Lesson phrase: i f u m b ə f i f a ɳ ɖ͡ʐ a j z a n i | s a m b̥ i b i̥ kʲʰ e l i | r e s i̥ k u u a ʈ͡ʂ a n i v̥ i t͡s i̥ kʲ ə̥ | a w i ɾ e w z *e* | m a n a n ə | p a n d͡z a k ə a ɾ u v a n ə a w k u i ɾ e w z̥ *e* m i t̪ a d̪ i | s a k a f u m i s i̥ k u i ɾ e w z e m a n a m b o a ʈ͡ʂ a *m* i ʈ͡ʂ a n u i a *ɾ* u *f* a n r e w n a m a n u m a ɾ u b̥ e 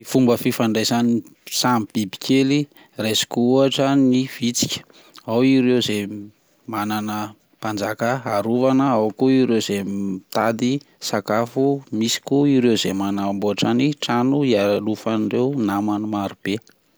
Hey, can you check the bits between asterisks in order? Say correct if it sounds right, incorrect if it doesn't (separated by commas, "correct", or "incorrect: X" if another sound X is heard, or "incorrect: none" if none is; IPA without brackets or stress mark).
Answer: correct, correct, incorrect: n, incorrect: l, correct